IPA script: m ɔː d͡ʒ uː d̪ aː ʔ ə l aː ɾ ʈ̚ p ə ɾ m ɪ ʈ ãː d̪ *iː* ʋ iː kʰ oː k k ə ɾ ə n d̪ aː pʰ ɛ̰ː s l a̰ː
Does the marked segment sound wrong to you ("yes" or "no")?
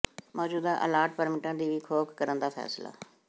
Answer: no